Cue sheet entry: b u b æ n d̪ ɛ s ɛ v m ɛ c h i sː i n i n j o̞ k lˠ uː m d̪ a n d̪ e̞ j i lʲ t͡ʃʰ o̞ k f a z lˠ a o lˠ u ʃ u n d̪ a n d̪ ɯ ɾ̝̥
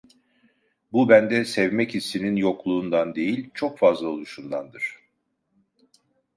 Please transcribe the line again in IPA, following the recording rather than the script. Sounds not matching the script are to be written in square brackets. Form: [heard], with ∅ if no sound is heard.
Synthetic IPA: b u b æ n d̪ ɛ s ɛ v m ɛ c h i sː i n i n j o̞ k lˠ uː [n] d̪ a n d̪ e̞ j i lʲ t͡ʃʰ o̞ k f a z lˠ a o lˠ u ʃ u n d̪ a n d̪ ɯ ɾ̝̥